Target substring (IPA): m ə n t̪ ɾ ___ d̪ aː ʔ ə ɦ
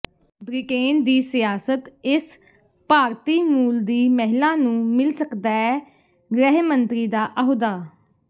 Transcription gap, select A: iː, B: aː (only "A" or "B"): A